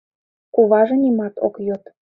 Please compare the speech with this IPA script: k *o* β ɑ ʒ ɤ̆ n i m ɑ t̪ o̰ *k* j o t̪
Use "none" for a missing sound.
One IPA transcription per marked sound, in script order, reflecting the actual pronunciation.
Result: u, k

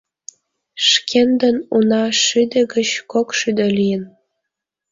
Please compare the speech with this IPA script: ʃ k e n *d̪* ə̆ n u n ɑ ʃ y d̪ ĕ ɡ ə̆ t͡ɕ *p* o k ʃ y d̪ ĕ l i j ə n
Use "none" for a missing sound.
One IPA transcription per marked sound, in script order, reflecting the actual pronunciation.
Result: d̪, k

